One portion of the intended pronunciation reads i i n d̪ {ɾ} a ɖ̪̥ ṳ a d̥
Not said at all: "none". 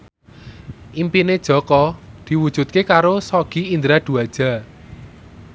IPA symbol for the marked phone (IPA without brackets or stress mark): ɾ